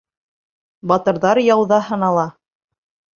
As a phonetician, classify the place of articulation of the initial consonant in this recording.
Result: labial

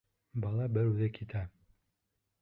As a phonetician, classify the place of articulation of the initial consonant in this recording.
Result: labial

